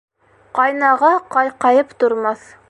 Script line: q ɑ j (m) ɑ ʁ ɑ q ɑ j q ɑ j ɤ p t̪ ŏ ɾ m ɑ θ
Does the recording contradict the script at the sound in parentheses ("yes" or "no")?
yes